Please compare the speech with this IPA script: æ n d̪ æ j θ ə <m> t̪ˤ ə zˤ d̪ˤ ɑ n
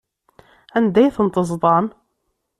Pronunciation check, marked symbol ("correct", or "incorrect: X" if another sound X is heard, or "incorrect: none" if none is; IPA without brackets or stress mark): incorrect: n